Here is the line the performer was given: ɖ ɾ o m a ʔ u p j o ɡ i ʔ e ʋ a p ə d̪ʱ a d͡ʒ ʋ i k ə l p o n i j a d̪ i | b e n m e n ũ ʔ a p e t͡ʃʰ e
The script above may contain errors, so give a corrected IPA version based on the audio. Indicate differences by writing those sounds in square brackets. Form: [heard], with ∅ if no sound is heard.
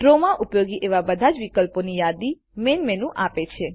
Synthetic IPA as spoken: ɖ ɾ o m a ʔ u p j o ɡ i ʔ e ʋ a [b] ə d̪ʱ a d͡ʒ ʋ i k ə l p o n i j a d̪ i | [m] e n m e n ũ ʔ a p e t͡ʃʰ e